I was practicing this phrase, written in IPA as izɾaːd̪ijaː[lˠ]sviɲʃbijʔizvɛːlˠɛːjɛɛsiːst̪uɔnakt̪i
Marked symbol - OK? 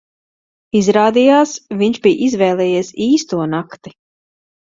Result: no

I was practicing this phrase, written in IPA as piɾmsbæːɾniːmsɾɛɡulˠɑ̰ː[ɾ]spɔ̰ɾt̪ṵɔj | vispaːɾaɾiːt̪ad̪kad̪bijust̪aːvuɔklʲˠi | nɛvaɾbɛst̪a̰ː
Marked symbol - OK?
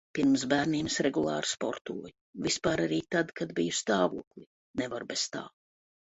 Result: yes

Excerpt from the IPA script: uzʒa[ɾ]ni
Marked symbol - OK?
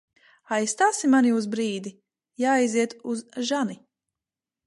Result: no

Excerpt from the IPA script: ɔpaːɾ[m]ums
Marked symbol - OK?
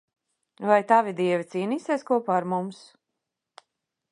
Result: yes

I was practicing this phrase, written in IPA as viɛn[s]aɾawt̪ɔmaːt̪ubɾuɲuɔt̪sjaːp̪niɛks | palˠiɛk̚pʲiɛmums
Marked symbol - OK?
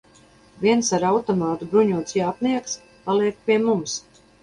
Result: yes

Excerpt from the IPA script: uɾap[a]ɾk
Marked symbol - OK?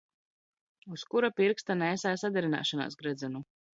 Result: no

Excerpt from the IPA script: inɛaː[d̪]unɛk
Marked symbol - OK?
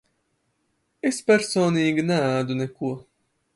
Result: yes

